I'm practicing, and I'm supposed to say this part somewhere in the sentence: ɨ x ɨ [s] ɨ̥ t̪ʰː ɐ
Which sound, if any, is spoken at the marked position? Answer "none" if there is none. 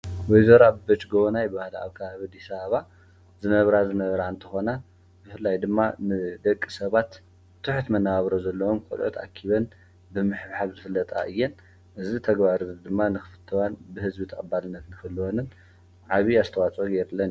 f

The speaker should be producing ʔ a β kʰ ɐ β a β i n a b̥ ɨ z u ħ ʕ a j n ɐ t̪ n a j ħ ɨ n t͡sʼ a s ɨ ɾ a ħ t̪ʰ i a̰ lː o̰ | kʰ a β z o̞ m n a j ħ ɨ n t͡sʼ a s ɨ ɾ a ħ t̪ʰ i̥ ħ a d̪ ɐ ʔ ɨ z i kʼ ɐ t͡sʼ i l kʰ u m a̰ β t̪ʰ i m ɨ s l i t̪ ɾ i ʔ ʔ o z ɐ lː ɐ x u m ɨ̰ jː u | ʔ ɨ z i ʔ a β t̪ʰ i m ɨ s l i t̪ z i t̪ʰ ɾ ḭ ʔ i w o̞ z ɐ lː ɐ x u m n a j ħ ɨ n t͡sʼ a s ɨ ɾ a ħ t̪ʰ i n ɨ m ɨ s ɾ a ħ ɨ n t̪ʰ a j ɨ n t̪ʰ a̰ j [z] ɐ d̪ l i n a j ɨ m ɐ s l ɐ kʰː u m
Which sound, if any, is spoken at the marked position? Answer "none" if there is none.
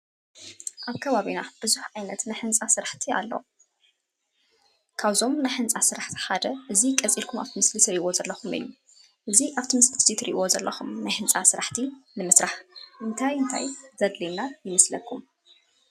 z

